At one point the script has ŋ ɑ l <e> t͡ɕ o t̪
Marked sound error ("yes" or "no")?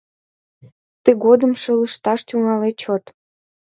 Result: no